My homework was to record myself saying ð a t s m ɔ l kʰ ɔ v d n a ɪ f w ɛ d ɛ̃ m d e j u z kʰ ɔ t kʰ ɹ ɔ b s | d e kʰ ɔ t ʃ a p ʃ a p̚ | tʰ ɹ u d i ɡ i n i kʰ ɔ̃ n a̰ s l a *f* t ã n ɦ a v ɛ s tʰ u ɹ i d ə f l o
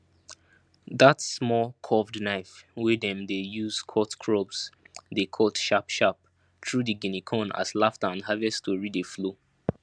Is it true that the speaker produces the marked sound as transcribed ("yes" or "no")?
yes